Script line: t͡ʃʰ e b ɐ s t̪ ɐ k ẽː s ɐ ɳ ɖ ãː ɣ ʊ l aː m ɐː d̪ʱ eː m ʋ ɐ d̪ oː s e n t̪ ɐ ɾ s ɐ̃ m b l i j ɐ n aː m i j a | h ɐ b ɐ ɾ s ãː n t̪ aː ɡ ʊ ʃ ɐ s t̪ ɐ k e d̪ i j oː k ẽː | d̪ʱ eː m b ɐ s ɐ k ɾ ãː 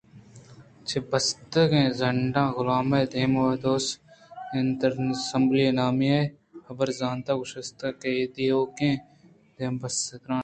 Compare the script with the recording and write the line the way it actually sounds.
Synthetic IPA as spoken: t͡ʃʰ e b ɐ s t̪ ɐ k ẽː z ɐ ɳ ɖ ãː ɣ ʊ l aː m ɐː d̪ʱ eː m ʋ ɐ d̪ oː s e n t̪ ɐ ɾ s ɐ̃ m b l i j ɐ n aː m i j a | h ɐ b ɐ ɾ z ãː n t̪ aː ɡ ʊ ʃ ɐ s t̪ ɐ k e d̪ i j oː k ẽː | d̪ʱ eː m b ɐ s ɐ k ɾ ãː

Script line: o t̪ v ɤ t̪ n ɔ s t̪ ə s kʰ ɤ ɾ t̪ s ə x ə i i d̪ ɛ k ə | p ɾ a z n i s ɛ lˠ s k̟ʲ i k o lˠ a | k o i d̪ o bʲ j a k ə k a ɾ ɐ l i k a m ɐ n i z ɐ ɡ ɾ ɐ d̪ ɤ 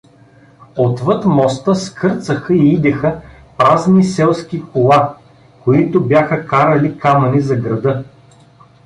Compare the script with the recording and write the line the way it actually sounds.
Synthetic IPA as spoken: o t̪ v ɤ t̪ m ɔ s t̪ ə s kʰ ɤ ɾ t̪ s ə x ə i i d̪ ɛ x ə | p ɾ a z n i s ɛ lˠ s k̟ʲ i k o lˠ a | k o i t̪ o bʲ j a x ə k a ɾ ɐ l i k a m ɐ n i z ɐ ɡ ɾ ɐ d̪ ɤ

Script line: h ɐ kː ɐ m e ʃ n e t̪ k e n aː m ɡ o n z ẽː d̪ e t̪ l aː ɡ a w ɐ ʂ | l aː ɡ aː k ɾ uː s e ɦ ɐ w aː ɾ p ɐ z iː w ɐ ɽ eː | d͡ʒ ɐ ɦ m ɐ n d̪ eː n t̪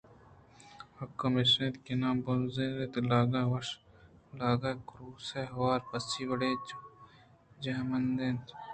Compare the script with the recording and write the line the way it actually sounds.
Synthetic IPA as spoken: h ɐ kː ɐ m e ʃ n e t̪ k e n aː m b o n z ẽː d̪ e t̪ l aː ɡ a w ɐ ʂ | l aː ɡ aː k ɾ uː s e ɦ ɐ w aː ɾ p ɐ s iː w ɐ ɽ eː | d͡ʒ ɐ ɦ m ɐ n d̪ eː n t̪

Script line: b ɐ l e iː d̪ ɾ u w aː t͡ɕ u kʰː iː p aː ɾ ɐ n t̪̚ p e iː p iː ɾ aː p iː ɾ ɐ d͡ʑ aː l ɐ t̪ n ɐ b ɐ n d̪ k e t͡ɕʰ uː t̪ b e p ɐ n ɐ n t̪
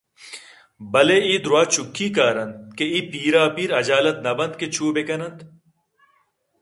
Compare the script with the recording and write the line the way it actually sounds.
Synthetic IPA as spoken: b ɐ l e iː d̪ ɾ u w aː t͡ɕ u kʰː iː k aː ɾ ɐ n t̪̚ k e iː p iː ɾ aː p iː ɾ ɐ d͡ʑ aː l ɐ t̪ n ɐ b ɐ n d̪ k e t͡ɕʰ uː b e k ɐ n ɐ n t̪

